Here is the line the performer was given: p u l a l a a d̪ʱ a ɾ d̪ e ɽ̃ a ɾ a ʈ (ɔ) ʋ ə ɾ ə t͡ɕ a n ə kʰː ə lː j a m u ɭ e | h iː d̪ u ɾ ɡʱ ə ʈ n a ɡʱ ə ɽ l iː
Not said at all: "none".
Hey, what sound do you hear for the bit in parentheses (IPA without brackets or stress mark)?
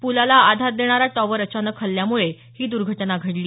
ɔ